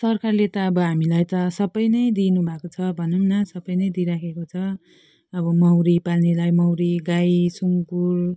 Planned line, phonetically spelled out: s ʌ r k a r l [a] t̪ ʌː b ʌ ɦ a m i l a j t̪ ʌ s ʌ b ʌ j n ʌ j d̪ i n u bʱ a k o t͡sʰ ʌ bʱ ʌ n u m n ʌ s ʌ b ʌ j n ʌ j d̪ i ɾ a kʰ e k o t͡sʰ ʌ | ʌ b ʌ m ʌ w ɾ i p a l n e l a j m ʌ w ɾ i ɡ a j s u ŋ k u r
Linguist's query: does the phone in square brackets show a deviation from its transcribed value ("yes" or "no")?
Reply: yes